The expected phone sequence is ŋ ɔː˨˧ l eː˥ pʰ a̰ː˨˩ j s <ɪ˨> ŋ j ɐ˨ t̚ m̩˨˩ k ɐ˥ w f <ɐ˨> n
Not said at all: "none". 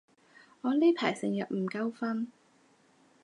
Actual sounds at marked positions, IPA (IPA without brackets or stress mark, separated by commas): ɪ˨, ɐ˥